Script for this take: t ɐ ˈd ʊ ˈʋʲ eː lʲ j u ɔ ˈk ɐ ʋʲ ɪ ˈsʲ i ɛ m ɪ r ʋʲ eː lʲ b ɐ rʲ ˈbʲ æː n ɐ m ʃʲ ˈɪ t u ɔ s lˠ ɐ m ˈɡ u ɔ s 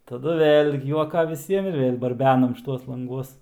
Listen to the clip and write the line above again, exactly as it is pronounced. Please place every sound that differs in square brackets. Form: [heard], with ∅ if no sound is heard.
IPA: t ɐ ˈd ʊ ˈʋʲ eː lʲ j u ɔ ˈk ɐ ʋʲ ɪ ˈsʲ i ɛ m ɪ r ʋʲ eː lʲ b ɐ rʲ ˈbʲ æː n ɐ m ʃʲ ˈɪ t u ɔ s lˠ ɐ [ŋ] ˈɡ u ɔ s